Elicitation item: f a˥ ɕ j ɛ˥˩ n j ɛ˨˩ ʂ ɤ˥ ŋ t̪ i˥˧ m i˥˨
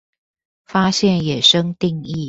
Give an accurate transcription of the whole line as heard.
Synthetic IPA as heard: f a˥ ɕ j ɛ˥˩ n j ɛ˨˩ ʂ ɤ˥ ŋ t̪ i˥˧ ŋ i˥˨